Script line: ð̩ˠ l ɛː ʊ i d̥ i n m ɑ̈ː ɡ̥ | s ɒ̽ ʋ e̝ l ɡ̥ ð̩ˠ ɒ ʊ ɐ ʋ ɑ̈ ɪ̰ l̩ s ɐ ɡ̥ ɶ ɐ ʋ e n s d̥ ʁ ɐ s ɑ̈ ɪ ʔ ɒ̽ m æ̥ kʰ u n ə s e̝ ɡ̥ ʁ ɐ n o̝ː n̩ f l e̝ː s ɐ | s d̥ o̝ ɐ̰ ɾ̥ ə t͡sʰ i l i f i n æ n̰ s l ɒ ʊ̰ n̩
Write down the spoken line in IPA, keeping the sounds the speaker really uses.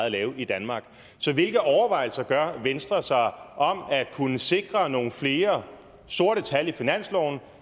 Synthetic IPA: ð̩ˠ l ɛː ʊ i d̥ æ n m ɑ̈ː ɡ̥ | s ɒ̽ ʋ e̝ l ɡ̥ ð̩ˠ ɒ ʊ ɐ ʋ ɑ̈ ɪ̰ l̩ s ɐ ɡ̥ ɶ ɐ ʋ e n s d̥ ʁ ɐ s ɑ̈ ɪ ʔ ɒ̽ m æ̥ kʰ u n ə s e̝ ɡ̥ ʁ ɐ n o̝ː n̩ f l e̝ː ɐ | s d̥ o̝ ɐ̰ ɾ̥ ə t͡sʰ æ l i f i n æ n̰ s l ɒ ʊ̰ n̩